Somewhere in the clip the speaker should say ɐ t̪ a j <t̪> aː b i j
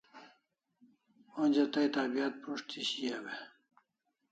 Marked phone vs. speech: correct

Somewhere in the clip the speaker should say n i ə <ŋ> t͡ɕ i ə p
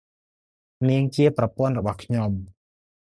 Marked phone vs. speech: correct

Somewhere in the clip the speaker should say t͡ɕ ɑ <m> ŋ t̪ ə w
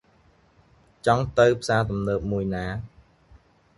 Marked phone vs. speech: incorrect: none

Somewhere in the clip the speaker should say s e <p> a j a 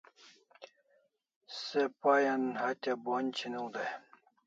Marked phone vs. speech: correct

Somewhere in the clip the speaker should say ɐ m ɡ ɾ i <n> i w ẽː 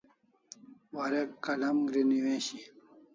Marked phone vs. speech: correct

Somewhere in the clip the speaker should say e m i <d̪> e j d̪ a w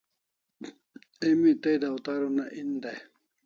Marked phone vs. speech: incorrect: t̪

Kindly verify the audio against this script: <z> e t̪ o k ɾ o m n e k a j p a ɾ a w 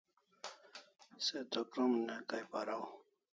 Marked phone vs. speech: incorrect: s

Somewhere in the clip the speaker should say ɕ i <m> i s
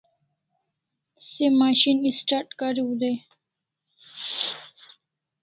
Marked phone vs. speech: incorrect: n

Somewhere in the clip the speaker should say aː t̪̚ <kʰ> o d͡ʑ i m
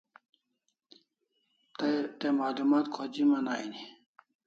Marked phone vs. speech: correct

